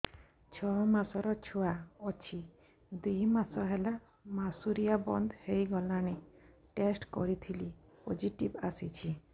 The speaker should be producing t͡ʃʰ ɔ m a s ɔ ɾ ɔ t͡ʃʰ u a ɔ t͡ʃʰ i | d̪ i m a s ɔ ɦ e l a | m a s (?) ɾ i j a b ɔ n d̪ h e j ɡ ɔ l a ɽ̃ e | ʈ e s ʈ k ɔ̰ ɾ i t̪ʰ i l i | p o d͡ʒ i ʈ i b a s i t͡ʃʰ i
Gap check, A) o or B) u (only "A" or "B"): B